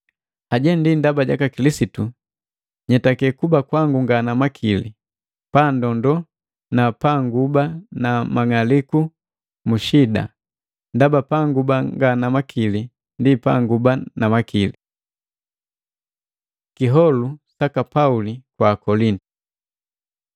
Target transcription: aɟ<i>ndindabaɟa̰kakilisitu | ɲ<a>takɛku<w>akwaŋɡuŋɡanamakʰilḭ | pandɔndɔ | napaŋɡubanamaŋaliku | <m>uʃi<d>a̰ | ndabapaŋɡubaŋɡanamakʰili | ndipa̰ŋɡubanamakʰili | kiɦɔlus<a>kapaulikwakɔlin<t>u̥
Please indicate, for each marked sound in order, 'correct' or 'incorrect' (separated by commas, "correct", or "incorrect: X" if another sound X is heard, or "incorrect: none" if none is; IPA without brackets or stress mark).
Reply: incorrect: ɛ, incorrect: ɛ, incorrect: b, correct, correct, correct, correct